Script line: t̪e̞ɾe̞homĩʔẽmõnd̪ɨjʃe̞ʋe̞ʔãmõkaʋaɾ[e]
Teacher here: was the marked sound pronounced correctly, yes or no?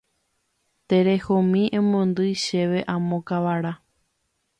no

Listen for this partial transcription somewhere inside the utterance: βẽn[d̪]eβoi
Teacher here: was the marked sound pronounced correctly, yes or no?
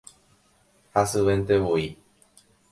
no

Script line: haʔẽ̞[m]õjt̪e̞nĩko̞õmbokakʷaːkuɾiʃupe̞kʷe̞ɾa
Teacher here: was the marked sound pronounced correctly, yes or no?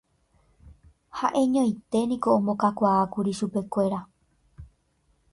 no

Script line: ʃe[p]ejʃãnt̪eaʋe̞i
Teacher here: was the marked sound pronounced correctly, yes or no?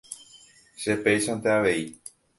yes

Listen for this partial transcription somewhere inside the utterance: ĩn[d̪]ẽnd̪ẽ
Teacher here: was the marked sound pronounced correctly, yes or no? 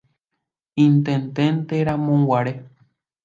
no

